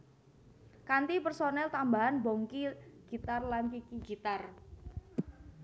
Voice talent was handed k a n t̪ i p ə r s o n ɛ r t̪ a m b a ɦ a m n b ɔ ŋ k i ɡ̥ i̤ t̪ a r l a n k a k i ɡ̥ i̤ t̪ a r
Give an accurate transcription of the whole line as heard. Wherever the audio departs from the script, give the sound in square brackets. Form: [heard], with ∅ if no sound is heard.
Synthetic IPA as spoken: k a n t̪ i p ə r s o n ɛ [l] t̪ a m b a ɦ a [∅] n b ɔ ŋ k i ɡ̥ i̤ t̪ a r l a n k [i] k i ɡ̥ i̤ t̪ a r